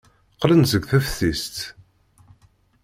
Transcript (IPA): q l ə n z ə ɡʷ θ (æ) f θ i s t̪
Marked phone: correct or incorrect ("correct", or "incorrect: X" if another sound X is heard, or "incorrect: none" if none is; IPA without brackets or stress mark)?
correct